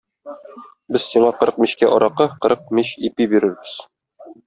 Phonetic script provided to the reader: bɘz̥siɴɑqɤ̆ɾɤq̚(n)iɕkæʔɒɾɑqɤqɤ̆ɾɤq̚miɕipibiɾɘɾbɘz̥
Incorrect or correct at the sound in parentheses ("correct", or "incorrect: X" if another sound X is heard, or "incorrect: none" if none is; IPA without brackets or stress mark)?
incorrect: m